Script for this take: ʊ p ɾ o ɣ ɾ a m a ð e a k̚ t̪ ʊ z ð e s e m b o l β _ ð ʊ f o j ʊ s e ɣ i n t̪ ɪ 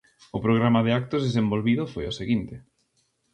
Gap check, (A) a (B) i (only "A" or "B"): B